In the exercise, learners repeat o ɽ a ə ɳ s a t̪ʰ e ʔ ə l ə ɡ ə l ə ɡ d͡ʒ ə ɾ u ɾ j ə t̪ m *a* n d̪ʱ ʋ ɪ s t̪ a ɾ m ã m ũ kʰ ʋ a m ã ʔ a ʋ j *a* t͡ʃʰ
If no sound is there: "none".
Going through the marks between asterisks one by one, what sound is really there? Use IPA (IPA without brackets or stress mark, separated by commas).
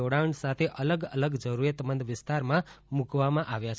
ə, a